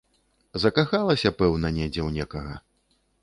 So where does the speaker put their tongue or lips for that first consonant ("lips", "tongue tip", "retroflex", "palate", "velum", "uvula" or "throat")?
tongue tip